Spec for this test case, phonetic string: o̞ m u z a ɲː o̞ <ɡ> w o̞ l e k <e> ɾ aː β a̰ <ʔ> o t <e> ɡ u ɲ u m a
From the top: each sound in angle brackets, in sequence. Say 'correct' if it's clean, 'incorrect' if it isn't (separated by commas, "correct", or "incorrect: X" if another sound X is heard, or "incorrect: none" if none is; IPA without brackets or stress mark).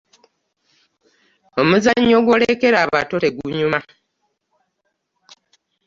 correct, correct, incorrect: t, correct